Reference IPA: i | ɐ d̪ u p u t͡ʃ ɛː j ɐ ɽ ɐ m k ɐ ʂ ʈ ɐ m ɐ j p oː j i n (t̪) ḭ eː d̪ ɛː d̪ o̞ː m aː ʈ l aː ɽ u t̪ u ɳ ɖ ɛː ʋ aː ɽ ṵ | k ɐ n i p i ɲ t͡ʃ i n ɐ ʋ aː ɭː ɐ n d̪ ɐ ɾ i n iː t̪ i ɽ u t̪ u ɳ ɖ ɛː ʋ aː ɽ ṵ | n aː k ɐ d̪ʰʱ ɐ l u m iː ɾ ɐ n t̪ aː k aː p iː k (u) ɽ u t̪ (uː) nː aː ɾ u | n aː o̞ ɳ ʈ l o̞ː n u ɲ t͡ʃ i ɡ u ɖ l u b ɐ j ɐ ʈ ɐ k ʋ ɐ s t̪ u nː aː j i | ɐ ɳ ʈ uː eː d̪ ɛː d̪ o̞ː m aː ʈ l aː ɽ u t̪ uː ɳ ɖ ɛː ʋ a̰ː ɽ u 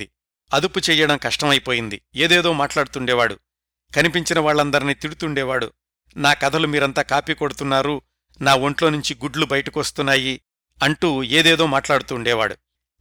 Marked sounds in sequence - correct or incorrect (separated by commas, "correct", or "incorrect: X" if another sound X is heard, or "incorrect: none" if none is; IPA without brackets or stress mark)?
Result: incorrect: d̪, incorrect: o, incorrect: u